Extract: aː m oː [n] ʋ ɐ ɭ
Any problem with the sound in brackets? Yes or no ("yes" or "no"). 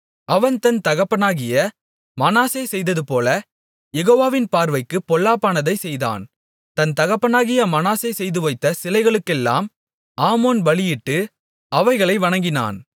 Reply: no